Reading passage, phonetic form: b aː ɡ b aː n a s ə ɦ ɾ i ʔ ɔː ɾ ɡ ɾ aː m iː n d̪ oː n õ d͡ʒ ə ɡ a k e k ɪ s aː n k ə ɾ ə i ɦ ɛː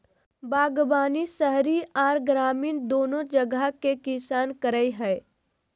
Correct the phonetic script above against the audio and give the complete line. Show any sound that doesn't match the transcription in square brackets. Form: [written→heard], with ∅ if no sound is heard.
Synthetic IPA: b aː ɡ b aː n [a→i] s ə ɦ ɾ i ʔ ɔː ɾ ɡ ɾ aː m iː n d̪ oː n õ d͡ʒ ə ɡ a k e k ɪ s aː n k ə ɾ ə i ɦ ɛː